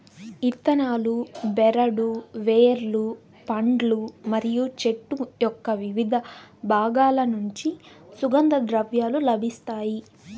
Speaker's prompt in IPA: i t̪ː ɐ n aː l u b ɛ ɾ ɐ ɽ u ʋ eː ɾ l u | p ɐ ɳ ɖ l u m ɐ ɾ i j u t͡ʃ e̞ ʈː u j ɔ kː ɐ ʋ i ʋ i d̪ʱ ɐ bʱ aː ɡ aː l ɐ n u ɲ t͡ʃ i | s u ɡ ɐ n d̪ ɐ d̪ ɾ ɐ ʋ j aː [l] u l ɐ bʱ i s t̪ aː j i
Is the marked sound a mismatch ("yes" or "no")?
no